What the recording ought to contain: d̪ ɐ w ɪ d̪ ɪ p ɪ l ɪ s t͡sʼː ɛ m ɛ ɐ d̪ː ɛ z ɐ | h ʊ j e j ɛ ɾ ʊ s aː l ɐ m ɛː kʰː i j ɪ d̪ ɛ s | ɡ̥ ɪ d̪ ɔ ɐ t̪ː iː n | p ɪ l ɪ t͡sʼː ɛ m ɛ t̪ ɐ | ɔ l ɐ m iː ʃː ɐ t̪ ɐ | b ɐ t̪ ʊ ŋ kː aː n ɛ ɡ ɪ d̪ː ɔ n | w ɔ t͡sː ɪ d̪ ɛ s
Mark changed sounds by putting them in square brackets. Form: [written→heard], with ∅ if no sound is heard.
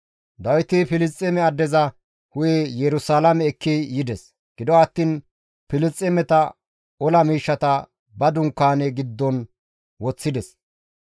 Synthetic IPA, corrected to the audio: d̪ ɐ w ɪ [d̪→t̪] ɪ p ɪ l ɪ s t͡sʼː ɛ m ɛ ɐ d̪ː ɛ z ɐ | h ʊ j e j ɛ ɾ ʊ s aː l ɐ m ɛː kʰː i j ɪ d̪ ɛ s | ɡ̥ ɪ d̪ ɔ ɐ t̪ː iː n | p ɪ l ɪ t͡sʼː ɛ m ɛ t̪ ɐ | ɔ l ɐ m iː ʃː ɐ t̪ ɐ | b ɐ [t̪→d̪] ʊ ŋ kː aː n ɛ ɡ ɪ d̪ː ɔ n | w ɔ t͡sː ɪ d̪ ɛ s